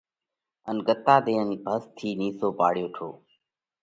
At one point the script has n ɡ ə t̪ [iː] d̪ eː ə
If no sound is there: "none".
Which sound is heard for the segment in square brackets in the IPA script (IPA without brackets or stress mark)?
aː